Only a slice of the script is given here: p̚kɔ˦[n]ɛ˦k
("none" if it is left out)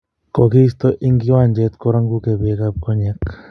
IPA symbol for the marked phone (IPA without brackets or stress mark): ɲ